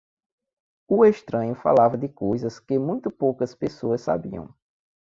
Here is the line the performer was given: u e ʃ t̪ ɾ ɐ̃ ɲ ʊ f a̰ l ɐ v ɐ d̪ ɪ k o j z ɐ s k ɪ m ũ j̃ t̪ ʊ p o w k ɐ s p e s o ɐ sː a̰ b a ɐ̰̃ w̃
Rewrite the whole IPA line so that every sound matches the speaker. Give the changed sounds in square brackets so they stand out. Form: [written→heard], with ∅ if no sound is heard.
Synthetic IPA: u e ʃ t̪ ɾ ɐ̃ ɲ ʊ f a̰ l [ɐ→a] v ɐ d̪ ɪ k o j z ɐ s k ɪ m ũ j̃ t̪ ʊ p o w k ɐ s p e s o ɐ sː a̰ b [a→i] ɐ̰̃ w̃